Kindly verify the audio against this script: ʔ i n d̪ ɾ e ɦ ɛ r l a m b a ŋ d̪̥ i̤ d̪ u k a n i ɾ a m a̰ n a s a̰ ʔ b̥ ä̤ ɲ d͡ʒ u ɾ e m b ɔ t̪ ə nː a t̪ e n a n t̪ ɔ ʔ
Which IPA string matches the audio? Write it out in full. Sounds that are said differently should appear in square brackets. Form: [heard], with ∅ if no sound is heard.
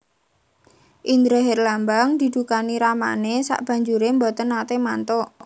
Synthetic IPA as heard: ʔ i n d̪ ɾ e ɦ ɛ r l a m b a ŋ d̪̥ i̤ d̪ u k a n i ɾ a m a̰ n [e] s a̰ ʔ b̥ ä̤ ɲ d͡ʒ u ɾ e m b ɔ t̪ ə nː a t̪ e [m] a n t̪ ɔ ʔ